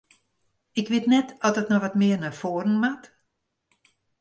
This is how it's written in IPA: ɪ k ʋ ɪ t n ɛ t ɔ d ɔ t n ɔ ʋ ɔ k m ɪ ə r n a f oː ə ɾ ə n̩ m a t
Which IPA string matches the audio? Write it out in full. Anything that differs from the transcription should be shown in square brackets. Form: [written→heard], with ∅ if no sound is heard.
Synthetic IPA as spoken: ɪ k ʋ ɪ t n ɛ t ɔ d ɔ t n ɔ ʋ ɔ [k→t] m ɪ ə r n a f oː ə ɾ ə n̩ m a t